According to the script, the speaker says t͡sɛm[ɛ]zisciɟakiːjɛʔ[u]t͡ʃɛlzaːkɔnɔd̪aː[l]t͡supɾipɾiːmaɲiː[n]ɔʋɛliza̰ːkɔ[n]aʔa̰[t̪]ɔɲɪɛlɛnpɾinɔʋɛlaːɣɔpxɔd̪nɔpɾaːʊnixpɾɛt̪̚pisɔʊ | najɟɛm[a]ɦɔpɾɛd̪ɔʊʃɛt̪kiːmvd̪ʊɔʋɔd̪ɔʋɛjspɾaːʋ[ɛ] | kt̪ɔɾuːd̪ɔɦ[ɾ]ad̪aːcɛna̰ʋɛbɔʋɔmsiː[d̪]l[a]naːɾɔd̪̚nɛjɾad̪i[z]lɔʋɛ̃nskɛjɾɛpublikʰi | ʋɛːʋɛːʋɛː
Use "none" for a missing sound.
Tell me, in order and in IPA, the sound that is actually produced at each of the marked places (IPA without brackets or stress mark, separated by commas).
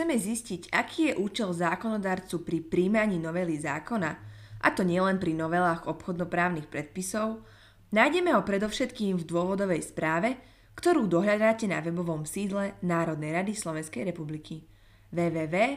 ɛ, uː, ɾ, n, n, t̪, ɛ, ɛ, ʎ, d̪, ɛ, s